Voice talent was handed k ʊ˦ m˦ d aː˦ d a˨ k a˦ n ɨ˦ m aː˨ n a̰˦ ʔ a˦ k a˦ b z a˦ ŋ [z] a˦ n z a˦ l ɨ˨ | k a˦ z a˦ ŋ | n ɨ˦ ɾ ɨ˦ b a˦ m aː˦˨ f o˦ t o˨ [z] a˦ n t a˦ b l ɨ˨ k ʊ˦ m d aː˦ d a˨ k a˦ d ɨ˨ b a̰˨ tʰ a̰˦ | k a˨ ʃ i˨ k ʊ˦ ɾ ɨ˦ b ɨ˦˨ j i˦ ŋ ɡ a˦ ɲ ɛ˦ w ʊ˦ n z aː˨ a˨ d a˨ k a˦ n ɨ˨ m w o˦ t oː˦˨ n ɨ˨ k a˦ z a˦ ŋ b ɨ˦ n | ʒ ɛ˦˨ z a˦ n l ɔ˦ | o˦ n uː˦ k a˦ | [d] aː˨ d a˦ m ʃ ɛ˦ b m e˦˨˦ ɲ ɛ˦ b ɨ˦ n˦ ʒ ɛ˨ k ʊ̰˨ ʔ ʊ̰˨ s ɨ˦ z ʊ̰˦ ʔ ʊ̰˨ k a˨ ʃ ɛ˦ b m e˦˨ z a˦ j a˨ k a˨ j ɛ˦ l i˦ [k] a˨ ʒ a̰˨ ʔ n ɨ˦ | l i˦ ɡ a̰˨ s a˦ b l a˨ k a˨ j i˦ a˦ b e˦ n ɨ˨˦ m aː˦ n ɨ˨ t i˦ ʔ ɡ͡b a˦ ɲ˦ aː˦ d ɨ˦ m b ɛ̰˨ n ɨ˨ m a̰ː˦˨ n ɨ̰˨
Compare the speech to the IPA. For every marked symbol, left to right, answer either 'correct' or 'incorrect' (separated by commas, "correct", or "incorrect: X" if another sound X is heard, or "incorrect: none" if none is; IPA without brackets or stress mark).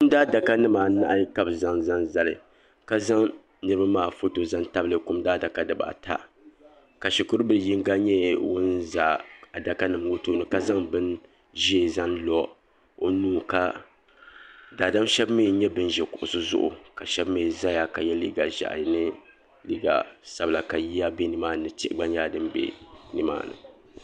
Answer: correct, correct, correct, incorrect: ɡ